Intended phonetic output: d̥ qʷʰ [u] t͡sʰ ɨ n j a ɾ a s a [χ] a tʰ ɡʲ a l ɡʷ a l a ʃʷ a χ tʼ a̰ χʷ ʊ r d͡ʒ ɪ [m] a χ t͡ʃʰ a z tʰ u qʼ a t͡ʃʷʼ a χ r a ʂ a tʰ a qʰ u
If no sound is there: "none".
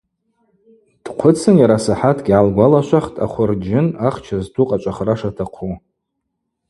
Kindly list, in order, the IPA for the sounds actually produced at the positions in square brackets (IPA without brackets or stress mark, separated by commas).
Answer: ʊ, ħ, n